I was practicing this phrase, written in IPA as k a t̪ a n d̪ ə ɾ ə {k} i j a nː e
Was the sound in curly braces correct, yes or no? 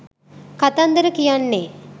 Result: yes